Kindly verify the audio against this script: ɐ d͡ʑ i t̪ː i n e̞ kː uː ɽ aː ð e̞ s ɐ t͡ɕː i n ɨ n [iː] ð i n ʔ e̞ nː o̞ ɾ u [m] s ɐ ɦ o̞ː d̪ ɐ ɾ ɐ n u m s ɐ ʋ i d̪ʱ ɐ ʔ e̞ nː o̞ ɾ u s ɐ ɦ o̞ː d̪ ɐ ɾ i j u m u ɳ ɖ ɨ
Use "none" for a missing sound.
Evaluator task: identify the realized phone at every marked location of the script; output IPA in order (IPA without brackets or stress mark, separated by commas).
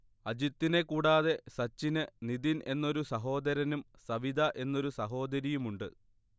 i, none